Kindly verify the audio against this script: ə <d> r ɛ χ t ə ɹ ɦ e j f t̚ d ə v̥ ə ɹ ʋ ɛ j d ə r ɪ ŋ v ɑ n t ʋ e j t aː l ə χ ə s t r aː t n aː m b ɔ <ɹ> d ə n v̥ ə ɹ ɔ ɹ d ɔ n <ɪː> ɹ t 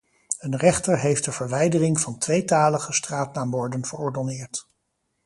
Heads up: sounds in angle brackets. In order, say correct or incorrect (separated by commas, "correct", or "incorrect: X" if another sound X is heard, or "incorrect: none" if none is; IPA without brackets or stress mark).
incorrect: n, correct, correct